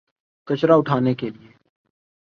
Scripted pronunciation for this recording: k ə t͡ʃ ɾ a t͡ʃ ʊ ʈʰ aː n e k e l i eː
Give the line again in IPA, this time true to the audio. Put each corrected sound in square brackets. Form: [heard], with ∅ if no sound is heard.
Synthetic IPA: k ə t͡ʃ ɾ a [∅] ʊ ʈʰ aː n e k e l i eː